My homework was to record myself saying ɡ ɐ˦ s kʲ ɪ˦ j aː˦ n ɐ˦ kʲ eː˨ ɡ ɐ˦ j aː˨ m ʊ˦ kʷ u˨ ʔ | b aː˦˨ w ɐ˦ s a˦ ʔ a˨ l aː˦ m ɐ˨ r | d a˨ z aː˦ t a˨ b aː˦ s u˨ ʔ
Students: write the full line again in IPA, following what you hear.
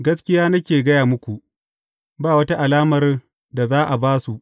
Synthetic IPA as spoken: ɡ ɐ˦ s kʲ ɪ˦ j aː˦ n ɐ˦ kʲ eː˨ ɡ ɐ˦ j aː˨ m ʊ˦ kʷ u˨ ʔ | b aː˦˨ w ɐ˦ t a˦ ʔ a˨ l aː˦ m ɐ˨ r | d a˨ z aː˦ ʔ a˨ b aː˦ s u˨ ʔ